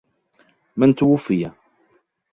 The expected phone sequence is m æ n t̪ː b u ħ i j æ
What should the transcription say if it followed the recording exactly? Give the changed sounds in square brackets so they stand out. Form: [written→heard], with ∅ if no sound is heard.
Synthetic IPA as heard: m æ n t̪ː [b→w] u [ħ→f] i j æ